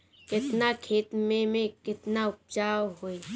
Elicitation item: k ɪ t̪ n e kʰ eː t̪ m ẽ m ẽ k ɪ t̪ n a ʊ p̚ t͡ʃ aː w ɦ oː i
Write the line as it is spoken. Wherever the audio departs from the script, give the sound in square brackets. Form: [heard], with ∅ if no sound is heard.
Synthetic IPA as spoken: k ɪ t̪ n [a] kʰ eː t̪ m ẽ m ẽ k ɪ t̪ n a ʊ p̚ t͡ʃ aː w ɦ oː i